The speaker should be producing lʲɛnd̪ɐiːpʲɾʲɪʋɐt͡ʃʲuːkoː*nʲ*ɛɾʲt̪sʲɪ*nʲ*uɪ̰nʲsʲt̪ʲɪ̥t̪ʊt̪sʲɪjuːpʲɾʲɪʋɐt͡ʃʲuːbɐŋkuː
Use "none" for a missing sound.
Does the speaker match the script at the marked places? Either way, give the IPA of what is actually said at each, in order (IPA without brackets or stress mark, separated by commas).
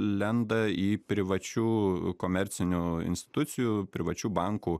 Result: mʲ, nʲ